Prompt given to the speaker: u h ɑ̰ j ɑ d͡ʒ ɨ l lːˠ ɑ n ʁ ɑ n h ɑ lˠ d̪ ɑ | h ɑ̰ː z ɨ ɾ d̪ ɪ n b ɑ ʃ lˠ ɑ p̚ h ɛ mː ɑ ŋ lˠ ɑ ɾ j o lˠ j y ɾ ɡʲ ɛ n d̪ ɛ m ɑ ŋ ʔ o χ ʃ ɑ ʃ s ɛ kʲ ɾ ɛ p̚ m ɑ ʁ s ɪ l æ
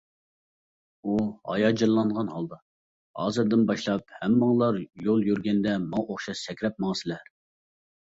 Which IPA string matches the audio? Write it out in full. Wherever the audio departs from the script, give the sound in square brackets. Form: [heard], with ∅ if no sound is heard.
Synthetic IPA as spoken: u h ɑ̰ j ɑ d͡ʒ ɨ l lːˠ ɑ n ʁ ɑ n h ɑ lˠ d̪ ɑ | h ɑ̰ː z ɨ ɾ d̪ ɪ n b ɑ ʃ lˠ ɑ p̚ h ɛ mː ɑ ŋ lˠ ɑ ɾ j o lˠ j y ɾ ɡʲ ɛ n d̪ ɛ m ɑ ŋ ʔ o χ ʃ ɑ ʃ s ɛ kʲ ɾ ɛ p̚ m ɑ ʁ s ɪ l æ